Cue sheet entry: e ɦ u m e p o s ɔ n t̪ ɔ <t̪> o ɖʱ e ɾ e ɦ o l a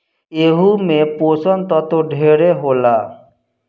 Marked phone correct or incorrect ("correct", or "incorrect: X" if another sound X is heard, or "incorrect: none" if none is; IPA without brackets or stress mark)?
correct